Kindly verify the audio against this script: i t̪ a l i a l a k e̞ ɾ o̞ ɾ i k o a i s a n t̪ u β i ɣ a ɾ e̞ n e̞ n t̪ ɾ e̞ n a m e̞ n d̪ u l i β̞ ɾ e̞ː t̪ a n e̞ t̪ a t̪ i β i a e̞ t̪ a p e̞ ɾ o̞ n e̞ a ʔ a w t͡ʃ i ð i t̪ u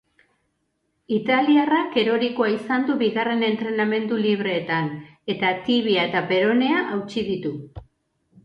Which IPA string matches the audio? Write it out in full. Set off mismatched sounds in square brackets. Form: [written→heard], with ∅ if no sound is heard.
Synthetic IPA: i t̪ a l i a [l→r] a k e̞ ɾ o̞ ɾ i k o a i s a n [t̪→d̪] u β i ɣ a [ɾ→r] e̞ n e̞ n t̪ ɾ e̞ n a m e̞ n d̪ u l i β̞ ɾ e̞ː t̪ a n e̞ t̪ a t̪ i β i a e̞ t̪ a p e̞ ɾ o̞ n e̞ a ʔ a w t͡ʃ i ð i t̪ u